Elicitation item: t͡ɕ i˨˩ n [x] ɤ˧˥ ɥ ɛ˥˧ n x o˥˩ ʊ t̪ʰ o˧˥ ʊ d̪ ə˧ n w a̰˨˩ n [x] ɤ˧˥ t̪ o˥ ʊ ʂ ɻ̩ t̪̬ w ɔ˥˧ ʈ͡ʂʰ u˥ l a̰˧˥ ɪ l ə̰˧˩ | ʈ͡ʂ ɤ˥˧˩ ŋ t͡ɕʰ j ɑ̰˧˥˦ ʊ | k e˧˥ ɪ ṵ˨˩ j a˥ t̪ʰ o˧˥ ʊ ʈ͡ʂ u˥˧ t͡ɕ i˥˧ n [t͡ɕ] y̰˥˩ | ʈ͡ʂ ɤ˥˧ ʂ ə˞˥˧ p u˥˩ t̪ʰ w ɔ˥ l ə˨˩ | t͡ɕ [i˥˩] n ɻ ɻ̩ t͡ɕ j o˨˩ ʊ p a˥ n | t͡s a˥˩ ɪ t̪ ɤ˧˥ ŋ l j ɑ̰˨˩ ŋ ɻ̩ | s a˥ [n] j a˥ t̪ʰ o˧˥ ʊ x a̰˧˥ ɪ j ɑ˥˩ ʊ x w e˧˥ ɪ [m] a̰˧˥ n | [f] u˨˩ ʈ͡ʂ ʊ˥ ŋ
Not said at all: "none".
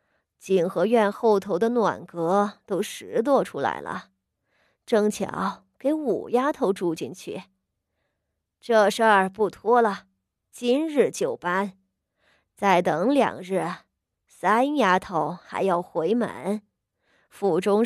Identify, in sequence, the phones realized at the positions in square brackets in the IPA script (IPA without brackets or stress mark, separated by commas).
x, k, t͡ɕʰ, i˥, n, m, f